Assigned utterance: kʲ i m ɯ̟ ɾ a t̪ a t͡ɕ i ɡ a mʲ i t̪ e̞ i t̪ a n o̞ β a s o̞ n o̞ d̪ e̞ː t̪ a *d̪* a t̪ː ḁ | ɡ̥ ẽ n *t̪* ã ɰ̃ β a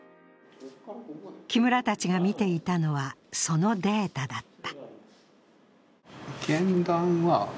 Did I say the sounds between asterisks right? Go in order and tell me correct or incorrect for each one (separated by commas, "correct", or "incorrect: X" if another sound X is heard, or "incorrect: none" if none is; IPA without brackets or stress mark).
correct, incorrect: d̪